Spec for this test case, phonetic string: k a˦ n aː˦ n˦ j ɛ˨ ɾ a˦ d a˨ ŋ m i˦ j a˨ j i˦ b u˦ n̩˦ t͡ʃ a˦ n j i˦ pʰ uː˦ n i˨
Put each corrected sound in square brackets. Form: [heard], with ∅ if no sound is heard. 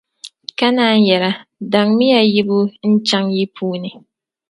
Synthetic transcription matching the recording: k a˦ n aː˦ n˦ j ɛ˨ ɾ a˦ d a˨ ŋ m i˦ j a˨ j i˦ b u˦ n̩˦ t͡ʃ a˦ [ŋ] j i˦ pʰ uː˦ n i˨